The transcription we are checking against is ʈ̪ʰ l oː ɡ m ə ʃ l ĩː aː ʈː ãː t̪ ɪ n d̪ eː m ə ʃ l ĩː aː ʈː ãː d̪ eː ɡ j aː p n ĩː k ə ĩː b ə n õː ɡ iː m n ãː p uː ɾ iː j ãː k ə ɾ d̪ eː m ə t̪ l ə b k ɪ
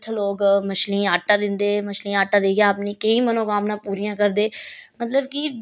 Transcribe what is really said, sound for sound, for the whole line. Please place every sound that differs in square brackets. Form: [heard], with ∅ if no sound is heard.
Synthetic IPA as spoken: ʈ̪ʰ l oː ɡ m ə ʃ l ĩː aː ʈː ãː [d̪] ɪ n d̪ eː m ə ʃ l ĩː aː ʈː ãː d̪ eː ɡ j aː p n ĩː k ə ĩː [m] ə n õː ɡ [aː] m n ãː p uː ɾ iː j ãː k ə ɾ d̪ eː m ə t̪ l ə b k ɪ